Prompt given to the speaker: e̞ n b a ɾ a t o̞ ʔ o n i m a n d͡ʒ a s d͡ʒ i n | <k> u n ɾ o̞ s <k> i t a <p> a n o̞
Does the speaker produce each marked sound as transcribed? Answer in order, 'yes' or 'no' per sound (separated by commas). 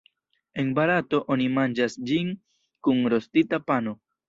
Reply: yes, no, yes